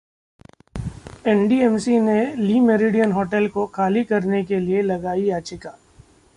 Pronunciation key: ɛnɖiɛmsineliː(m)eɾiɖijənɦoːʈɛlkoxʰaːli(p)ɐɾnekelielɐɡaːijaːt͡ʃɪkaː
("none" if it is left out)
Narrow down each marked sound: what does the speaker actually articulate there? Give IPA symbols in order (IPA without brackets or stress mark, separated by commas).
m, k